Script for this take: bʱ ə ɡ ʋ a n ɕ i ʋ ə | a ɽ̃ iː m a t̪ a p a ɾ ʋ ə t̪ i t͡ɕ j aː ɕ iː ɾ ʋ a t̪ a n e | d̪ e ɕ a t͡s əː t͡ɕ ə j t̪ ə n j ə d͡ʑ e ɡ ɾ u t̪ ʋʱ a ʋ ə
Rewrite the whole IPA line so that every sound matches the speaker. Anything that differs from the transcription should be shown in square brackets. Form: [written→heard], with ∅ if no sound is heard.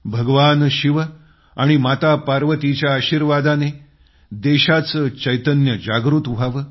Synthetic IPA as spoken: bʱ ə ɡ ʋ a n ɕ i ʋ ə | a ɽ̃ [iː→i] m a t̪ a p a ɾ ʋ ə t̪ i t͡ɕ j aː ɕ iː ɾ ʋ a [t̪→d̪] a n e | d̪ e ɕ a t͡s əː t͡ɕ ə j t̪ ə n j ə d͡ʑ [e→a] ɡ ɾ u t̪ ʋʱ a ʋ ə